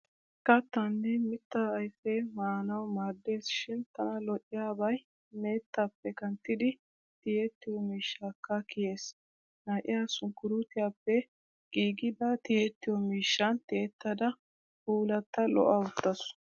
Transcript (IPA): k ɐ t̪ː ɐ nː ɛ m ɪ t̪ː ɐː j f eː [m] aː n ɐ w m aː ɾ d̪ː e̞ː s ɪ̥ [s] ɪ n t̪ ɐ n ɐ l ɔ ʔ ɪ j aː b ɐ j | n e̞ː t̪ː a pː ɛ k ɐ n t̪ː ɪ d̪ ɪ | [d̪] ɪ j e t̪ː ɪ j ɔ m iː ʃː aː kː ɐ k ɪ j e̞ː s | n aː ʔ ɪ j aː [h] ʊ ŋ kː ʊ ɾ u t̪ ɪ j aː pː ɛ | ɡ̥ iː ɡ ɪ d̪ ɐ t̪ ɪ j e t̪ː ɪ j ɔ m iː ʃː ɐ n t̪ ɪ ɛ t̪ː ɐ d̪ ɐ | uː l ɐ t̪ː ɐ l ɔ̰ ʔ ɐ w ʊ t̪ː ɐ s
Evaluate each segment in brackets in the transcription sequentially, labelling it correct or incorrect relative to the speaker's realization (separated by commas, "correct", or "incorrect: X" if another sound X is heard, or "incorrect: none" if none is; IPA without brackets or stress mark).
correct, incorrect: ʃ, incorrect: t̪, incorrect: s